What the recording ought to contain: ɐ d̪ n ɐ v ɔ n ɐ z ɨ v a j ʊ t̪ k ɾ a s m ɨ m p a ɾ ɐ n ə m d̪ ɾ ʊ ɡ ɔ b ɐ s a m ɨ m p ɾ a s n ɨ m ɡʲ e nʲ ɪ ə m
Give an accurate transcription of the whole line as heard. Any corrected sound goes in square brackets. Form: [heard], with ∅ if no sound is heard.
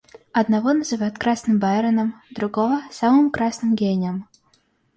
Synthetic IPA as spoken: ɐ d̪ n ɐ v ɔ n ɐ z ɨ v a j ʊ t̪ k ɾ a s [n] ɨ m [b] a ɾ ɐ n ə m d̪ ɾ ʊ ɡ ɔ [v] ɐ s a m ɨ m [k] ɾ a s n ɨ m ɡʲ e nʲ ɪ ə m